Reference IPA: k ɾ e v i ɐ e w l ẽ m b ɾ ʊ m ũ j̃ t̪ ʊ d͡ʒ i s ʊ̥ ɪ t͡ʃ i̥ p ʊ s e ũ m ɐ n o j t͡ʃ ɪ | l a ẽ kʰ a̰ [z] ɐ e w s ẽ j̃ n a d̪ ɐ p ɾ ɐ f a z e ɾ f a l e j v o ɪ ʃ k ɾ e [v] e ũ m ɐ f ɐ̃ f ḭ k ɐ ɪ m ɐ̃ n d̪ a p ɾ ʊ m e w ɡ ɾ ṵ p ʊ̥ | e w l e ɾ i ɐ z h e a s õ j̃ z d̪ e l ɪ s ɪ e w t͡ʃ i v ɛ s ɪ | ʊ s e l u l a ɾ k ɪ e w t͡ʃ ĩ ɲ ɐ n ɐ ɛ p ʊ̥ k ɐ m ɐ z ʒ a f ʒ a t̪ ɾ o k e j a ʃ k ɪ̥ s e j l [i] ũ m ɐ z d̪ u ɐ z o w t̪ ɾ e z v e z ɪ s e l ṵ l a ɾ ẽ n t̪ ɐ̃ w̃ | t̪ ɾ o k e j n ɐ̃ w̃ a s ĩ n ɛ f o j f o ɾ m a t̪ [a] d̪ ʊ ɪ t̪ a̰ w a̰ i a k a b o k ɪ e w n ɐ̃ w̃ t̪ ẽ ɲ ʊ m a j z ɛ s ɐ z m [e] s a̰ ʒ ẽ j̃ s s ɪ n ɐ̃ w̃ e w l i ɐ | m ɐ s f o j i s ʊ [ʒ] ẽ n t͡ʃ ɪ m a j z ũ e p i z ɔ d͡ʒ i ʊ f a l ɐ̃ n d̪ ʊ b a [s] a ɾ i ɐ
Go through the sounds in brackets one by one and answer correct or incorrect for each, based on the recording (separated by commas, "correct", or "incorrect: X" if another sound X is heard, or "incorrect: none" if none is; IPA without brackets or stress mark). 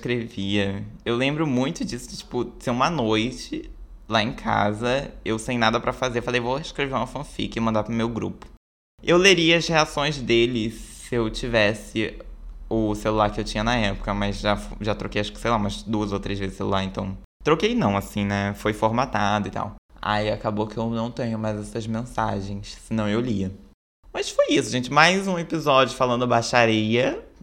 correct, correct, incorrect: a, correct, incorrect: ẽ, correct, incorrect: ʃ